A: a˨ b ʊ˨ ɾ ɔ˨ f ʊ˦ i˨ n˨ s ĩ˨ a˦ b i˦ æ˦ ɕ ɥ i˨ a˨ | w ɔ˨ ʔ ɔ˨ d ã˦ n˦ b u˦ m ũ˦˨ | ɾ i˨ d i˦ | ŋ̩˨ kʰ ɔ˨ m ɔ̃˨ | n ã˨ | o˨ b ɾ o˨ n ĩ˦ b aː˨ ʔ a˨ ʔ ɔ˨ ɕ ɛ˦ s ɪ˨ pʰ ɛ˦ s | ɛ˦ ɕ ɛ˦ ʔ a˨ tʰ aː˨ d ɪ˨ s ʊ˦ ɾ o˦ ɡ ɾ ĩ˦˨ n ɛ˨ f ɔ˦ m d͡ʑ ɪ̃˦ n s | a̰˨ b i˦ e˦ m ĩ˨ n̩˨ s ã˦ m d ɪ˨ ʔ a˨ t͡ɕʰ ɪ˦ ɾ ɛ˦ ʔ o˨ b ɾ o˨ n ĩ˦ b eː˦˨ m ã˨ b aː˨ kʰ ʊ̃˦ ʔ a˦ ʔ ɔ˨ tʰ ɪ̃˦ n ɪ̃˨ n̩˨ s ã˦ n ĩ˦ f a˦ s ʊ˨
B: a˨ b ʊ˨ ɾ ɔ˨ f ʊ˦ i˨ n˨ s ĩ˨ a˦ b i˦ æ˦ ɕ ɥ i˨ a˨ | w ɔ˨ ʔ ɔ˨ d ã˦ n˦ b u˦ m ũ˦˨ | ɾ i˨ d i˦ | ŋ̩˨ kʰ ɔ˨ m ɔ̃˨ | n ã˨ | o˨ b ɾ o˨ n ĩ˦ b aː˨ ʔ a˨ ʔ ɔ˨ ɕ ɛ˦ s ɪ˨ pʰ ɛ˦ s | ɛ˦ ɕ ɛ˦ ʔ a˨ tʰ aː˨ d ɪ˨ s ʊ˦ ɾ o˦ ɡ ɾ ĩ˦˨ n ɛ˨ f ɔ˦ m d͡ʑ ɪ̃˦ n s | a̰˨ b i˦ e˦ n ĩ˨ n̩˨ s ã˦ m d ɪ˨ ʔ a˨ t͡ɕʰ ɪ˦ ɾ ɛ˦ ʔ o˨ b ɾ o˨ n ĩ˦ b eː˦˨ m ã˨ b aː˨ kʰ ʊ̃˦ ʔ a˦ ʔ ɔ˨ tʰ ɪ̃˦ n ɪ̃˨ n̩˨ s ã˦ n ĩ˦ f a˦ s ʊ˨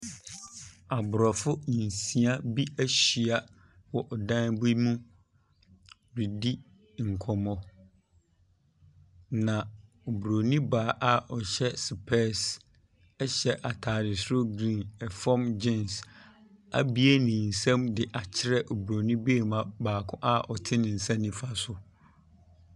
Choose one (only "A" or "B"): B